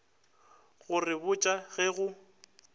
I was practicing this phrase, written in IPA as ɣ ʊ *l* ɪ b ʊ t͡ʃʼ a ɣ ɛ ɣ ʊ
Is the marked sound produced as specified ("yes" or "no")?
no